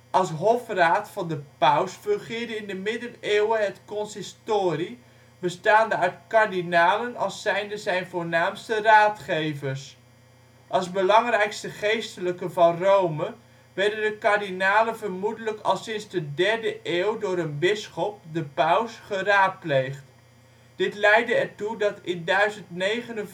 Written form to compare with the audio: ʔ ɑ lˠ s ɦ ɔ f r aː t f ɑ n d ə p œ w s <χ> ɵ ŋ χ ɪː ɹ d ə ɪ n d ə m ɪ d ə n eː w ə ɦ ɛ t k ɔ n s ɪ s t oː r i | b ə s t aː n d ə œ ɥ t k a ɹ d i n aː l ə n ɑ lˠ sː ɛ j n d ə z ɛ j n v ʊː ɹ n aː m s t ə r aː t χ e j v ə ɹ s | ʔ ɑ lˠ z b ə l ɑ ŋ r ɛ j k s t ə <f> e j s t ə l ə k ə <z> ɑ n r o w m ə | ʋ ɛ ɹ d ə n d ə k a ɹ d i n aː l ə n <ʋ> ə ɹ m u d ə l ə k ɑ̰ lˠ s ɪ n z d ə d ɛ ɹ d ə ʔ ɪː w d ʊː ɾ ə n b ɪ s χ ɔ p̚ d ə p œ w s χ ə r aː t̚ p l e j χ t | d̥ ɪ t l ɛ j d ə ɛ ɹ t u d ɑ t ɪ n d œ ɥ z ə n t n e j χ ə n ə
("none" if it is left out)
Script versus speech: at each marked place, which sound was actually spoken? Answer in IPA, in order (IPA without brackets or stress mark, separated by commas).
f, χ, v, v